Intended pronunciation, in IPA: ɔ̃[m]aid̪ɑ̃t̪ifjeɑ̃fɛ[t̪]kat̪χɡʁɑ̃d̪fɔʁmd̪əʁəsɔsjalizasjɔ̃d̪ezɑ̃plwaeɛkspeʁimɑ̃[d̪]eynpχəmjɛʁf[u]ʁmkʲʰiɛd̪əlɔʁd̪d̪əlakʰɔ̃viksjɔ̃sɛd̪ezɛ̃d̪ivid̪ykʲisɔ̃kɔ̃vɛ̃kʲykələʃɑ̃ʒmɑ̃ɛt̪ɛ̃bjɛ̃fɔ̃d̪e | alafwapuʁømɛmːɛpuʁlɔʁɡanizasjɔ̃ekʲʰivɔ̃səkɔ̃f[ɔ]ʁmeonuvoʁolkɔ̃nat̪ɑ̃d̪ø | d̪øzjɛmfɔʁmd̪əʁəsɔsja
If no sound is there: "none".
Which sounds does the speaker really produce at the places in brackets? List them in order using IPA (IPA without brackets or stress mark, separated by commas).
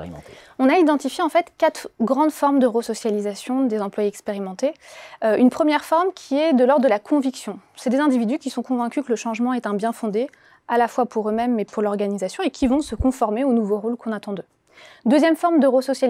n, t̪, t̪, ɔ, ɔ